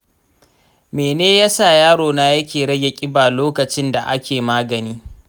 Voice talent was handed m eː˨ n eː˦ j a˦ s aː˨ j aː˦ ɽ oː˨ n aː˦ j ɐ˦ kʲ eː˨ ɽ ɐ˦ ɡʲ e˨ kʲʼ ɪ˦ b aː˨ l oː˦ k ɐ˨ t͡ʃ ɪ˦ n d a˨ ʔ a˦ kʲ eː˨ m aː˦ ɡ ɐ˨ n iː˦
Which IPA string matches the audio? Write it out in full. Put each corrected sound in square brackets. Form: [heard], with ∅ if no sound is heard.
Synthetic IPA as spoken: m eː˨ n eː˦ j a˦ s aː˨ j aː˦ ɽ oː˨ n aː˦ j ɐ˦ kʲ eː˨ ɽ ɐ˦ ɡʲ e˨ kʲʼ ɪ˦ b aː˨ l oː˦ k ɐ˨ t͡ʃ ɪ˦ n d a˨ ʔ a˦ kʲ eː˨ m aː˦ ɡ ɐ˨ n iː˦

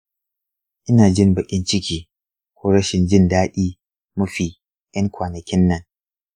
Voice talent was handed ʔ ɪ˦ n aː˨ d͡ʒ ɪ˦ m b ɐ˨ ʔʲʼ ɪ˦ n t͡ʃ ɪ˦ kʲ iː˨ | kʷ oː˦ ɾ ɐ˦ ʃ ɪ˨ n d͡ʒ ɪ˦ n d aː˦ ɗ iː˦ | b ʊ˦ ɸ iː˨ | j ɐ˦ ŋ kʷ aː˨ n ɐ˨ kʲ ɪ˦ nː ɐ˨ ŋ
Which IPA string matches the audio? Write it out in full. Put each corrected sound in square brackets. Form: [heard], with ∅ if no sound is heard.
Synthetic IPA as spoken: ʔ ɪ˦ n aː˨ d͡ʒ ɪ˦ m b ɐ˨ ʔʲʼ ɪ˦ n t͡ʃ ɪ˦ kʲ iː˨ | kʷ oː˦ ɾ ɐ˦ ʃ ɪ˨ n d͡ʒ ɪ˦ n d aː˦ ɗ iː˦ | [m] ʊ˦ ɸ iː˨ | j ɐ˦ ŋ kʷ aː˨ n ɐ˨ kʲ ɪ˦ nː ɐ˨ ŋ

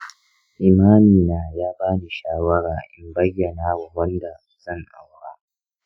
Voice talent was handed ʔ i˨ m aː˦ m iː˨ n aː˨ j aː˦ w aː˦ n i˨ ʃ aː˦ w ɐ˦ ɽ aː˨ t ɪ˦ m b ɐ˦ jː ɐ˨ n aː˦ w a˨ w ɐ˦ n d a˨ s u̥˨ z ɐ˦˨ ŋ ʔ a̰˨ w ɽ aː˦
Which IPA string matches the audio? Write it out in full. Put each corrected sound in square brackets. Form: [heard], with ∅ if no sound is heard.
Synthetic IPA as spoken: ʔ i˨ m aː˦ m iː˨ n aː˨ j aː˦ [b] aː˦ n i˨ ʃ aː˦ w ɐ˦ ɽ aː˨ [ʔ] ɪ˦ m b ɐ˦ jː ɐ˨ n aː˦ w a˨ w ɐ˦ n d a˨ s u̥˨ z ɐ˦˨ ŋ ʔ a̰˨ w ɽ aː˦

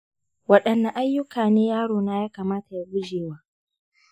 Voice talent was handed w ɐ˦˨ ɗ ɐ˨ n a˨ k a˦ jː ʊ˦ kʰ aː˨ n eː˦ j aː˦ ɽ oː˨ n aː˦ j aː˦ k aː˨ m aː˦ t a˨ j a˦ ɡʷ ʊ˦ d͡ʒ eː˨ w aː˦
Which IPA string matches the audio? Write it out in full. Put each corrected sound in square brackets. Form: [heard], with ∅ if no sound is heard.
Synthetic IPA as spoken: w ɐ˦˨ ɗ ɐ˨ [nː] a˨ [ʔ] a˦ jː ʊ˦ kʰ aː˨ n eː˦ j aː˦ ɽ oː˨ n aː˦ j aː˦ k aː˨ m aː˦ t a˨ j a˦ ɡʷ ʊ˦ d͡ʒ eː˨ w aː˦

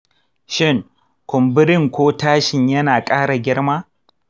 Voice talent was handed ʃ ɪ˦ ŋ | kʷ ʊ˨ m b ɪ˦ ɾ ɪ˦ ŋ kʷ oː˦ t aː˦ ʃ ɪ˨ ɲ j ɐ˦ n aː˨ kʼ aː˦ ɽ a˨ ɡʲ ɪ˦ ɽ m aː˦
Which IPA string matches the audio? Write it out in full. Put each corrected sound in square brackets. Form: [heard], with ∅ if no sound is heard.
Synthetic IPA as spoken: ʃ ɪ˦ ŋ | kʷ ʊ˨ m b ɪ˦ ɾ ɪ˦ ŋ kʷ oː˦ t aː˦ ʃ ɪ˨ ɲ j ɐ˦ n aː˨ kʼ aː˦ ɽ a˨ ɡʲ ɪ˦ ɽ m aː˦

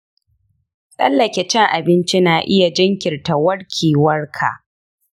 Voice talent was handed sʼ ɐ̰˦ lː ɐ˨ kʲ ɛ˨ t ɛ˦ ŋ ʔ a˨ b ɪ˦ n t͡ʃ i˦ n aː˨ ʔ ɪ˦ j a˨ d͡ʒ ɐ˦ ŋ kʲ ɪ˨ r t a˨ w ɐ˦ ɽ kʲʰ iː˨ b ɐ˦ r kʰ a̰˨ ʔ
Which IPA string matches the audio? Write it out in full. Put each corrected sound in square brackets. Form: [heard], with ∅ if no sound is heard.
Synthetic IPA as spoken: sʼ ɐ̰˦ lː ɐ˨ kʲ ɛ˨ [t͡ʃ] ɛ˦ ŋ ʔ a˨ b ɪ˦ n t͡ʃ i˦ n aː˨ ʔ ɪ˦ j a˨ d͡ʒ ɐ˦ ŋ kʲ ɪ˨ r t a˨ w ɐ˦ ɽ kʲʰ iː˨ [w] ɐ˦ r kʰ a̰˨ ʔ

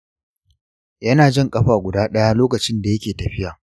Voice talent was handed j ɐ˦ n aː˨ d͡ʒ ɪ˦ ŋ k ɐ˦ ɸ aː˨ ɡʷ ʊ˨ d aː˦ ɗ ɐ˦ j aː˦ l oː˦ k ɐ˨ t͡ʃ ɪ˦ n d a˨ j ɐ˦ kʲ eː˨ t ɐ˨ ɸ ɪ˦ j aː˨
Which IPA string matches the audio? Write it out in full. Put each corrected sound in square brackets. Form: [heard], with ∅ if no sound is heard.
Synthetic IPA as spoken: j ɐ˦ n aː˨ d͡ʒ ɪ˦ ŋ [kʼ] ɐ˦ ɸ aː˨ ɡʷ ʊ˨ d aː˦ ɗ ɐ˦ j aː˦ l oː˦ k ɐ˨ t͡ʃ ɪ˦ n d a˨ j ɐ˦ kʲ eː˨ t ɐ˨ ɸ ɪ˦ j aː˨

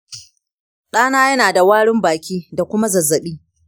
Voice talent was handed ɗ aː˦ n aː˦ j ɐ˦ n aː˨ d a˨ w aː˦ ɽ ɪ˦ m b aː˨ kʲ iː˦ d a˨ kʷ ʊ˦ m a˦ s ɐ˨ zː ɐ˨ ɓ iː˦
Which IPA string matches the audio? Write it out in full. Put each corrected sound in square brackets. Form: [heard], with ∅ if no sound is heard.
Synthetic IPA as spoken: ɗ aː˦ n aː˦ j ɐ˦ n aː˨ d a˨ w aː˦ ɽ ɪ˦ m b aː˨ kʲ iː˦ d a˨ kʷ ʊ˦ m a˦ [z] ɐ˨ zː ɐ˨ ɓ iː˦

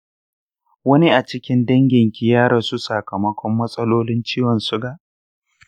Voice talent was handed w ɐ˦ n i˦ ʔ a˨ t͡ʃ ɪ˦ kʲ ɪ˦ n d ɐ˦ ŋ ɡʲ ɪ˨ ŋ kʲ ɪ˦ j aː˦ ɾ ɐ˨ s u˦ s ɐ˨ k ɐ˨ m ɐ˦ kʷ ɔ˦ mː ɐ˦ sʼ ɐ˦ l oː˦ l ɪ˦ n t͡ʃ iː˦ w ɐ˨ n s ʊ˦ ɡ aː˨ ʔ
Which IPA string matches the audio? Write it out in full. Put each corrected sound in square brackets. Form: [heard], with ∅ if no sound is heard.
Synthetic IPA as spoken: w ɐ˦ n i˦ ʔ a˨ t͡ʃ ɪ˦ kʲ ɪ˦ n d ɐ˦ ŋ ɡʲ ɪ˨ ŋ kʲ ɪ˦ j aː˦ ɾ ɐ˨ s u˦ s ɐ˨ k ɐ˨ m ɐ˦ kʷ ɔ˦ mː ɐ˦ sʼ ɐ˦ l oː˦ l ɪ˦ n t͡ʃ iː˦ w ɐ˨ n s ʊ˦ ɡ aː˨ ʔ

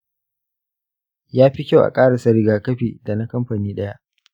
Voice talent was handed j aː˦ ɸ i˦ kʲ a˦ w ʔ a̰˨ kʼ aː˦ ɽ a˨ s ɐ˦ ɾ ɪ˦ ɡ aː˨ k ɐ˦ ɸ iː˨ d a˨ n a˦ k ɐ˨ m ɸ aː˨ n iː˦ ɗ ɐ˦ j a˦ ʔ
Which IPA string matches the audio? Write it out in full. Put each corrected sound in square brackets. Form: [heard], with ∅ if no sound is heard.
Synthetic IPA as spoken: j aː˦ ɸ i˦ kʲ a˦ w ʔ a̰˨ kʼ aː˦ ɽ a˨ s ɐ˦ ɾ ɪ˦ ɡ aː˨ k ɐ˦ ɸ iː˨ d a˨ n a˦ k [ɐ˦] m ɸ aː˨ n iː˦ ɗ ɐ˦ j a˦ ʔ

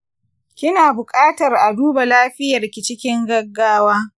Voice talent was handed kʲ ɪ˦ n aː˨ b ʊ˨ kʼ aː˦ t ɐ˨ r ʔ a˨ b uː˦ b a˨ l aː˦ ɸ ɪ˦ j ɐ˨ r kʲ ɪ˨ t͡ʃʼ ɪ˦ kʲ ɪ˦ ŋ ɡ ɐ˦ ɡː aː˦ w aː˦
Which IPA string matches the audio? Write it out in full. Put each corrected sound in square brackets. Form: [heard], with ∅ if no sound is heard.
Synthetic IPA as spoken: kʲ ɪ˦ n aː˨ b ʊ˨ kʼ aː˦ t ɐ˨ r ʔ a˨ [d] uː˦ b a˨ l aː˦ ɸ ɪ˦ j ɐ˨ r kʲ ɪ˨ [t͡ʃ] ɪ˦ kʲ ɪ˦ ŋ ɡ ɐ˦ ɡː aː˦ w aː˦

